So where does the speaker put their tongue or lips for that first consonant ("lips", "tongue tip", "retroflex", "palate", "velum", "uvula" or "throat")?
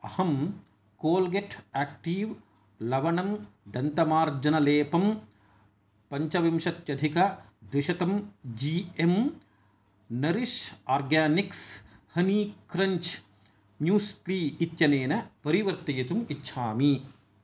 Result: throat